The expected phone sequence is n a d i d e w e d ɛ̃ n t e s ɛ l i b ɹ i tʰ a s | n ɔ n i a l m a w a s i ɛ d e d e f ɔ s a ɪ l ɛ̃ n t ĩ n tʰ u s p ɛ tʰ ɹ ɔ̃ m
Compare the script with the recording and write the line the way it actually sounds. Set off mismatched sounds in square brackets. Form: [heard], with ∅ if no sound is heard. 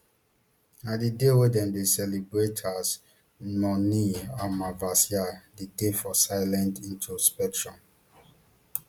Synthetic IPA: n a d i d e w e d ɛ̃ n [d] e s ɛ l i b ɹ [e] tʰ a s | n ɔ n i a [∅] m a [v] a s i [a] d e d e f ɔ s a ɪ l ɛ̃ n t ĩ n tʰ u s p ɛ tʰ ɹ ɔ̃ m